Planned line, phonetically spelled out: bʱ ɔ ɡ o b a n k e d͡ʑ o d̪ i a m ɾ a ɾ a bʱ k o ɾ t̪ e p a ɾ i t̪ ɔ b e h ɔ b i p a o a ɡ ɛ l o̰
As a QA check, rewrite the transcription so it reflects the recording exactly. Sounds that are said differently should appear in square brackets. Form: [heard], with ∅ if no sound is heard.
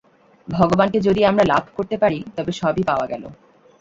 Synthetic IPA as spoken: bʱ ɔ ɡ o b a n k e d͡ʑ o d̪ i a m ɾ a [l] a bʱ k o ɾ t̪ e p a ɾ i t̪ ɔ b e [ʃ] ɔ b i p a o a ɡ ɛ l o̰